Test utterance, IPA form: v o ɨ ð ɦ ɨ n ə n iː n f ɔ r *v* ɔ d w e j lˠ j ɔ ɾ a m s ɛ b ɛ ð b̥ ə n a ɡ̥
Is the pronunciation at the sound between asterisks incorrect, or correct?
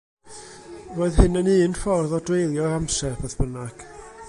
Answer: incorrect